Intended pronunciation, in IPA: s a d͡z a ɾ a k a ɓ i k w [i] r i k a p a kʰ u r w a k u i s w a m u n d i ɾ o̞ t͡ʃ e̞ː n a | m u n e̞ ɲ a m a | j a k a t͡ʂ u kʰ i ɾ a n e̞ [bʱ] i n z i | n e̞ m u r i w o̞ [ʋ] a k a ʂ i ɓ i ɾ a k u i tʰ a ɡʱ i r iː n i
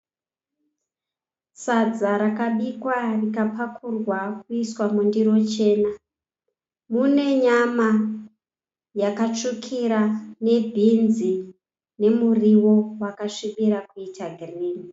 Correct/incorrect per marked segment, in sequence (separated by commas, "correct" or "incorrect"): incorrect, correct, incorrect